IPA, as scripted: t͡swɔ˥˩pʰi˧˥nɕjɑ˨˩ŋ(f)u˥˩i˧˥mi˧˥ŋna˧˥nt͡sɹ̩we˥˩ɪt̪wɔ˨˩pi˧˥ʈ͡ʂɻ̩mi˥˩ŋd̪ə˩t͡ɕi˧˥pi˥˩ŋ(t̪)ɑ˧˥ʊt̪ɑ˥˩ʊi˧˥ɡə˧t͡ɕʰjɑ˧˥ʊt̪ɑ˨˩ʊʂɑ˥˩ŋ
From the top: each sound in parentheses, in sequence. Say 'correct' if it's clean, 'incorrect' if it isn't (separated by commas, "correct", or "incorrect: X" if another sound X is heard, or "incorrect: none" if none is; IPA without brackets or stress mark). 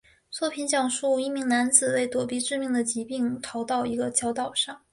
incorrect: ʂ, incorrect: t̪ʰ